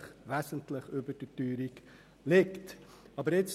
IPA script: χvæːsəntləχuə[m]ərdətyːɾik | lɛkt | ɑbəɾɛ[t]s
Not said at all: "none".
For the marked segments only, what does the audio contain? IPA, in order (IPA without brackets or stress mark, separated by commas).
b, t